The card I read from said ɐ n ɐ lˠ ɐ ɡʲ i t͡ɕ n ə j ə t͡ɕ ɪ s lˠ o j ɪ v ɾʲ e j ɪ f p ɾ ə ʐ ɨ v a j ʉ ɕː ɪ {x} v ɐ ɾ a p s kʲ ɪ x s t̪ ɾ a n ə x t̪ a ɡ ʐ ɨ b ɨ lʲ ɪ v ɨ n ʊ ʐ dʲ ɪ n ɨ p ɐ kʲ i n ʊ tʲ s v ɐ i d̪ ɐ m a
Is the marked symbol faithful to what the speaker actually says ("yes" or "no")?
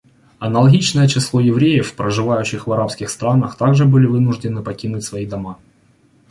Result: yes